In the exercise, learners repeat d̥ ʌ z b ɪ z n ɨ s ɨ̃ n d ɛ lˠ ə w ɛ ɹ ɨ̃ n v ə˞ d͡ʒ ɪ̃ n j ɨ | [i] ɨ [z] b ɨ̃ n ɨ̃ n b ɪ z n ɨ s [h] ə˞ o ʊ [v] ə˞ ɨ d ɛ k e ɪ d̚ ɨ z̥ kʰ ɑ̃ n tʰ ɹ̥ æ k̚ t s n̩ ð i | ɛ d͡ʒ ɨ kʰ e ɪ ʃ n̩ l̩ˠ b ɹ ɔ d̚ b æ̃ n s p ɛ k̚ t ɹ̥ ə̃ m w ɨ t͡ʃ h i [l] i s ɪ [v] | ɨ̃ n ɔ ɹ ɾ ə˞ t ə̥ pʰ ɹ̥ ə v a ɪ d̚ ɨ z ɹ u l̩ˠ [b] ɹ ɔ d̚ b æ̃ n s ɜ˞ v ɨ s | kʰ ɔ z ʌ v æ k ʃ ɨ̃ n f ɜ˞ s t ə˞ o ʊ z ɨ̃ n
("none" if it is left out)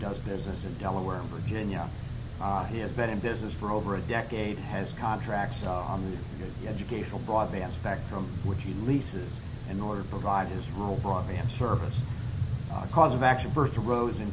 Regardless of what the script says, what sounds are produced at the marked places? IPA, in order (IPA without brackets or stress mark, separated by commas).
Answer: i, z, f, v, l, z, b